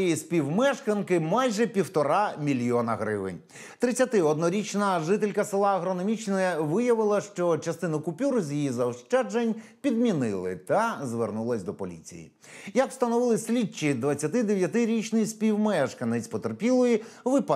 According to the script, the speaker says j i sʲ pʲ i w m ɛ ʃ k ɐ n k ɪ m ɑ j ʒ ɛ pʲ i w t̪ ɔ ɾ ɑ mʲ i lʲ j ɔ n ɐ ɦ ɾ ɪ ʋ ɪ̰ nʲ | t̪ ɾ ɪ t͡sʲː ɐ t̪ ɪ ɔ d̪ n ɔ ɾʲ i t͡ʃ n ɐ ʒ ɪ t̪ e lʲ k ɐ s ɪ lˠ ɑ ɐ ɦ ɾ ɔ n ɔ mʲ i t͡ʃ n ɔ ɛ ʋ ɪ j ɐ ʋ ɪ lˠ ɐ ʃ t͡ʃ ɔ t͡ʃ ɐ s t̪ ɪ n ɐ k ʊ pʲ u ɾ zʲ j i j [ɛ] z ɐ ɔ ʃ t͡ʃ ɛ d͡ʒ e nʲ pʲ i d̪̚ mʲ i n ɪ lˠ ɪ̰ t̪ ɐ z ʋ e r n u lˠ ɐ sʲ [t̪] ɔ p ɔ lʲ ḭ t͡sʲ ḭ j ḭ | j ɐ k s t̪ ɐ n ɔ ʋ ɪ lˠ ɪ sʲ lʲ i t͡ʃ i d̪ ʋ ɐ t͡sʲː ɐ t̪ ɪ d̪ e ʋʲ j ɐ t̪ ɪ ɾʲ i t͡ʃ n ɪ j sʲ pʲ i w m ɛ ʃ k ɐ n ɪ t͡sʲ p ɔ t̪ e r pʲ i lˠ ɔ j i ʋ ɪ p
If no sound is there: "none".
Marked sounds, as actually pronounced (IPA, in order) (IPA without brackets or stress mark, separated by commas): i, d̪